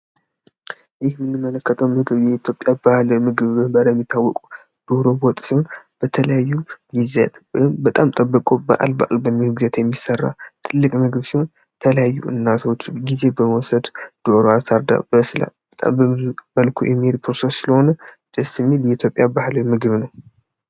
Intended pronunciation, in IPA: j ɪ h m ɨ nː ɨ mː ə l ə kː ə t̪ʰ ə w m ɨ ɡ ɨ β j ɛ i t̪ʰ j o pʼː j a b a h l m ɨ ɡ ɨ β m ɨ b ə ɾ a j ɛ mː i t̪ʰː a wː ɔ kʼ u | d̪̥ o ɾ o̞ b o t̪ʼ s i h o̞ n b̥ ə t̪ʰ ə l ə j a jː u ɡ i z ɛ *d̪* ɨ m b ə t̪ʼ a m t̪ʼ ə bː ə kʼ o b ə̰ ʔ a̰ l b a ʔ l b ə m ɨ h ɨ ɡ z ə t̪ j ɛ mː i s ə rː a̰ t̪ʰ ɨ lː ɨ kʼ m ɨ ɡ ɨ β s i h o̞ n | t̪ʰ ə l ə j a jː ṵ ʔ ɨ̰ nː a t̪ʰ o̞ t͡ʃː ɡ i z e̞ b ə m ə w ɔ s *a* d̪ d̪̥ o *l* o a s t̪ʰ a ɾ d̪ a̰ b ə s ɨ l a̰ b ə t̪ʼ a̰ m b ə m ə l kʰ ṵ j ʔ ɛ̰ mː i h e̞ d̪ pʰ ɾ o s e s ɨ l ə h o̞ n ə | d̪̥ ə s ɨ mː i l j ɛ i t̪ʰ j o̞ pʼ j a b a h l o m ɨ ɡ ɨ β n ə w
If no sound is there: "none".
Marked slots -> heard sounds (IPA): t̪, ə, ɾ

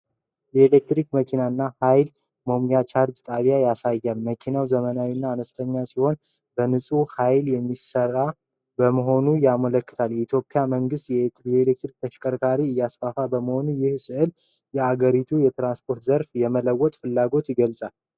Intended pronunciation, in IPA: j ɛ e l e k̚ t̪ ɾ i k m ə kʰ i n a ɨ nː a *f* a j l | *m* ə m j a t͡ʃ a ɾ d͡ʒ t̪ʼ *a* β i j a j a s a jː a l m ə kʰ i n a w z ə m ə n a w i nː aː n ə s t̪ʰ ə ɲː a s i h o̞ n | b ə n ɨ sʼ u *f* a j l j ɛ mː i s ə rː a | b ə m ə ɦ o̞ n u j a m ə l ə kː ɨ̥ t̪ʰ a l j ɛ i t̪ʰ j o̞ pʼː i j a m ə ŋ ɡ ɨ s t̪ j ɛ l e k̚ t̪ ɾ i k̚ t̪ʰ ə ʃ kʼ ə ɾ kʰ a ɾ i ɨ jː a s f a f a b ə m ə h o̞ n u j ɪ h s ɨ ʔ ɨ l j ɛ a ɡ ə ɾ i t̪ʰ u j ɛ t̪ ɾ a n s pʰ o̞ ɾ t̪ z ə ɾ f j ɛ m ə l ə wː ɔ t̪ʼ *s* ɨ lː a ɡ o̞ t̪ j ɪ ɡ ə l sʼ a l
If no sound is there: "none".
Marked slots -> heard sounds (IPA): h, m, a, h, f

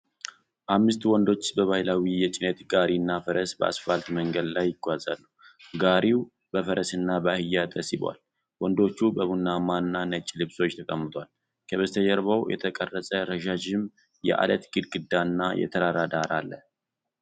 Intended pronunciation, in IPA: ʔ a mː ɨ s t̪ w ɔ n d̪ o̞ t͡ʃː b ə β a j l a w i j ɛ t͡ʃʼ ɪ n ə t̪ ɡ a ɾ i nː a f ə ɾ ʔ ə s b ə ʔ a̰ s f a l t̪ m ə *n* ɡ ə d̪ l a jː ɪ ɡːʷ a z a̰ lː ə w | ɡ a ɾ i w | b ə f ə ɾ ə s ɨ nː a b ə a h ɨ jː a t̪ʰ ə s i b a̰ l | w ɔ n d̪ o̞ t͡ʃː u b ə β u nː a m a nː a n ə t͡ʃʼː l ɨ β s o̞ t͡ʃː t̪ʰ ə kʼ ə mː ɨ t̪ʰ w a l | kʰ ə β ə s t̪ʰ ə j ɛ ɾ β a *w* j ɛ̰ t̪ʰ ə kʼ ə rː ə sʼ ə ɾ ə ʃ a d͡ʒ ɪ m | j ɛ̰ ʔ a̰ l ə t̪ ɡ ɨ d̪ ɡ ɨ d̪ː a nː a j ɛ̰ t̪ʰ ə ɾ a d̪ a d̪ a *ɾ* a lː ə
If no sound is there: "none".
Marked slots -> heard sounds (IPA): ŋ, w, ɾ

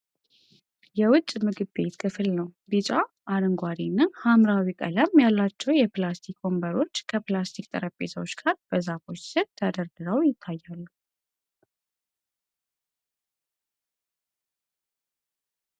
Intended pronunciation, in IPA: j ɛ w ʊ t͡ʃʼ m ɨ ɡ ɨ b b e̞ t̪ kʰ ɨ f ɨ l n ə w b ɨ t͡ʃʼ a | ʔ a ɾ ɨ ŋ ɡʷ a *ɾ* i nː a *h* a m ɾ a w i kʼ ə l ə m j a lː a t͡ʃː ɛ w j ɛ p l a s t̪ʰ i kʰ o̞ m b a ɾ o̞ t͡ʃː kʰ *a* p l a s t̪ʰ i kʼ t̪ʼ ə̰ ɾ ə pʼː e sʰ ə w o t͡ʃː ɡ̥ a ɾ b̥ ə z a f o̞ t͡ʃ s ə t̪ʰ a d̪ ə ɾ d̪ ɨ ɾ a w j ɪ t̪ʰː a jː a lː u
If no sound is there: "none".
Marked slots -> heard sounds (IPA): ɾ, h, ə

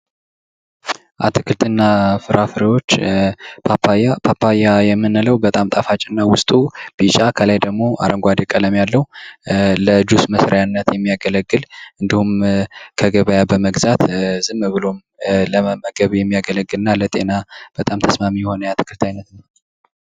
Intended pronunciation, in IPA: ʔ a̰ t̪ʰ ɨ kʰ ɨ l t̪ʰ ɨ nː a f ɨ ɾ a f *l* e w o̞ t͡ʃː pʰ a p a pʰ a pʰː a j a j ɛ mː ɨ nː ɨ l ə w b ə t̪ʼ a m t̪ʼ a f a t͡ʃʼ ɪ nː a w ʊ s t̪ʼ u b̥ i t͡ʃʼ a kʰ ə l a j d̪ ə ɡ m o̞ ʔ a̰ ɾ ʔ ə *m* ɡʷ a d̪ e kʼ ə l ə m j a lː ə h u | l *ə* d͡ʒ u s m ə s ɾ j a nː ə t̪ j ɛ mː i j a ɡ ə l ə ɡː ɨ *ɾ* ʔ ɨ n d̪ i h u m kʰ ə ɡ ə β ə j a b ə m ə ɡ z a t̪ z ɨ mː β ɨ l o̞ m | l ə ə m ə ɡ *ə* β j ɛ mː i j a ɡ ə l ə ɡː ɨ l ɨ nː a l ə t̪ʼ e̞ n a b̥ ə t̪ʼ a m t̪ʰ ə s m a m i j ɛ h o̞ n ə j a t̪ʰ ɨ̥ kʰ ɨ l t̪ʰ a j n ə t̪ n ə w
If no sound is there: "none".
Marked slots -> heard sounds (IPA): ɾ, ŋ, ə, l, ə

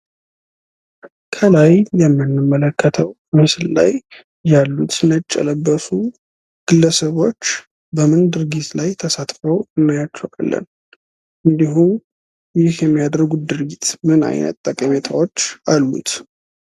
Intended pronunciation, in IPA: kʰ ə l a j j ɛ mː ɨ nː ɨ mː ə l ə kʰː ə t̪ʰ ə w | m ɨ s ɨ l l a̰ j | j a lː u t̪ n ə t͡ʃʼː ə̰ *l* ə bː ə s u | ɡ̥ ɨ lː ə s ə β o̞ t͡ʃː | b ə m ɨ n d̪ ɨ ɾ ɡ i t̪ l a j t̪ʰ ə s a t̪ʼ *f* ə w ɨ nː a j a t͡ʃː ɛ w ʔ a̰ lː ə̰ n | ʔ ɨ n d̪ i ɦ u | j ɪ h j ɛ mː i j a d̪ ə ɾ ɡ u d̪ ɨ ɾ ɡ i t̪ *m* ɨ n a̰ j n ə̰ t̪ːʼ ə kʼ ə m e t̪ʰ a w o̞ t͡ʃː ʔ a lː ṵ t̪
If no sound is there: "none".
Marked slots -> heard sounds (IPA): l, f, m

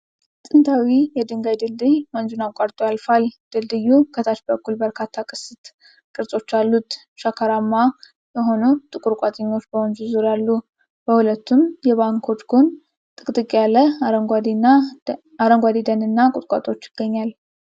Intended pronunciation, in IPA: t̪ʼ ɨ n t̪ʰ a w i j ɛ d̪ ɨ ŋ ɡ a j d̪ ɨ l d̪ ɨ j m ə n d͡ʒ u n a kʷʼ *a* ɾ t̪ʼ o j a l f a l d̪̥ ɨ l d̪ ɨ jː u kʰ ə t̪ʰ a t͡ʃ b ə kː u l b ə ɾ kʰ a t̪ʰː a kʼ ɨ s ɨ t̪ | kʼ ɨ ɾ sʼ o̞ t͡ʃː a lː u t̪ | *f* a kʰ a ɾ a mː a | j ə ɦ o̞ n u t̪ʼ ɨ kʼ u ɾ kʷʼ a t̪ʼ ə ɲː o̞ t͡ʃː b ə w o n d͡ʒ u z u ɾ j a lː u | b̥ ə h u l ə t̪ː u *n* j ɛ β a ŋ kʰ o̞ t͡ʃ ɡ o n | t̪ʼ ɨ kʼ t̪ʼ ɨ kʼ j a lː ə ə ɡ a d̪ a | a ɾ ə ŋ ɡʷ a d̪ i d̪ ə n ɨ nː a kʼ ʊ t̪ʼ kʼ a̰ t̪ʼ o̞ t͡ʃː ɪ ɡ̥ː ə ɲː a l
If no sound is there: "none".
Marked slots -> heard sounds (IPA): a, ʃ, m

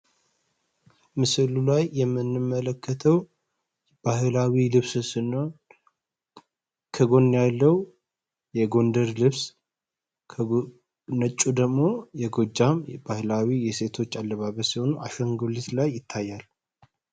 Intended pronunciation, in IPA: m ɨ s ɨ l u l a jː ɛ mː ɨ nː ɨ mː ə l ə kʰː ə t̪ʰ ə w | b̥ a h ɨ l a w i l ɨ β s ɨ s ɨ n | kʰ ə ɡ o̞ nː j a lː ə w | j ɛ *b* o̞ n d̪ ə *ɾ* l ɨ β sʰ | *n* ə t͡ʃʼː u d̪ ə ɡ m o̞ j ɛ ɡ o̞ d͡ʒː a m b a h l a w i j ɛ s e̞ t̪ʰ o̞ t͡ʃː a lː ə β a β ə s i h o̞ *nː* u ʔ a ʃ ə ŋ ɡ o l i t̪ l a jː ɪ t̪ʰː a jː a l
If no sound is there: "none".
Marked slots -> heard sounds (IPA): ɡ, ɾ, n, n

